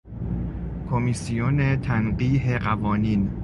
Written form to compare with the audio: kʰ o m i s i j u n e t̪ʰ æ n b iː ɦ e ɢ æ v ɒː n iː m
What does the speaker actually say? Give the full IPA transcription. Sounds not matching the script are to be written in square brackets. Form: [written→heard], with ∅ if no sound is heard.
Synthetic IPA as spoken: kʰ o m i s i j [u→o] n e t̪ʰ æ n [b→ɢ] iː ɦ e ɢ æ v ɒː n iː [m→n]